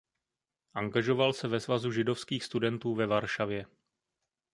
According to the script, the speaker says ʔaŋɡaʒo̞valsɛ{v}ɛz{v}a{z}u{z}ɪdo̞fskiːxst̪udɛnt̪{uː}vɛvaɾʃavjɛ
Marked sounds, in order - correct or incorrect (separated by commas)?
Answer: correct, correct, correct, incorrect, correct